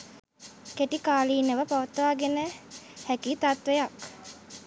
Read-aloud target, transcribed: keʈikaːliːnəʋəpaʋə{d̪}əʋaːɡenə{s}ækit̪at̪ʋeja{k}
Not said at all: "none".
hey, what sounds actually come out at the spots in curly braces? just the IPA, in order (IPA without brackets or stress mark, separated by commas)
t̪, h, k